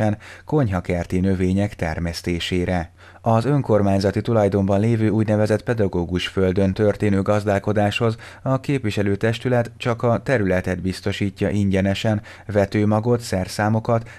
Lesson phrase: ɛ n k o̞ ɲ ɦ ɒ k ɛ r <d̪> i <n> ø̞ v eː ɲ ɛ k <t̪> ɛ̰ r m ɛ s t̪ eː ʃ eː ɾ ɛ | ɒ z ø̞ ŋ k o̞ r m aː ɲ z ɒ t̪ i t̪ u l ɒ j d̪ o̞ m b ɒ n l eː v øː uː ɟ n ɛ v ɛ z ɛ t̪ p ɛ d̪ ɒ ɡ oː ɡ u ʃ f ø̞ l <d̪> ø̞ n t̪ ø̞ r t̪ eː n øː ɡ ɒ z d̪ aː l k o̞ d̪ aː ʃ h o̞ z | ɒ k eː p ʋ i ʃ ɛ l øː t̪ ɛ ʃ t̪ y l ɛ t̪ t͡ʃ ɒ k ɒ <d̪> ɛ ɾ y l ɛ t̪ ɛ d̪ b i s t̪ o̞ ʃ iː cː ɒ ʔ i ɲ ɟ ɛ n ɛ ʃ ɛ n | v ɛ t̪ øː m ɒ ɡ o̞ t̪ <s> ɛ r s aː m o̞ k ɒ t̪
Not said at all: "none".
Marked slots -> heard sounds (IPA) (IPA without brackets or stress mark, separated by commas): t̪, n, t̪, d̪, t̪, s